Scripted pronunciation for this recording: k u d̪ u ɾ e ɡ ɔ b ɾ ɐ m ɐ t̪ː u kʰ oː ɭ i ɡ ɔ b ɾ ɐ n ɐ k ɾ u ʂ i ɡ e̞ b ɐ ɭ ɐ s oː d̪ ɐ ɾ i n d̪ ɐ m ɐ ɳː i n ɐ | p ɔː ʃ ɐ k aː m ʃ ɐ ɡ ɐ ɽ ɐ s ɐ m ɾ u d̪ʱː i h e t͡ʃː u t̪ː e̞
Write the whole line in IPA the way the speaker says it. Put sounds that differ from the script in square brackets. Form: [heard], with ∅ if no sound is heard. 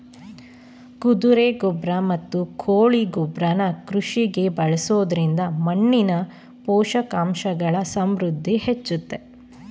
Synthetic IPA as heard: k u d̪ u ɾ e ɡ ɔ b ɾ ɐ m ɐ t̪ː u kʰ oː ɭ i ɡ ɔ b ɾ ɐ n ɐ k ɾ u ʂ i ɡ e̞ b ɐ ɭ ɐ s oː d̪ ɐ ɾ i n d̪ ɐ m ɐ ɳː i n ɐ | p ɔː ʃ ɐ k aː m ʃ ɐ ɡ ɐ [ɭ] ɐ s ɐ m ɾ u d̪ʱː i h e t͡ʃː u t̪ː e̞